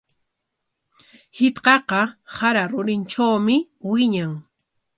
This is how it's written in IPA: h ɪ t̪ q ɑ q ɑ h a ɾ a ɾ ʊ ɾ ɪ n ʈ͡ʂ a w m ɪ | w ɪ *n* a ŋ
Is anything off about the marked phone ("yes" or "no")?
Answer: yes